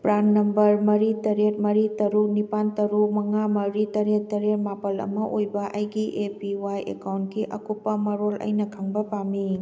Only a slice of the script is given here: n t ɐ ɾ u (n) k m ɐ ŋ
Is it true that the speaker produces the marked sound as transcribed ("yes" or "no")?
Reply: no